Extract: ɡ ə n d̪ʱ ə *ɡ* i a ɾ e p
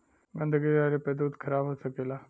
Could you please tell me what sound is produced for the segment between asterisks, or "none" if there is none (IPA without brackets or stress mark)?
ɡ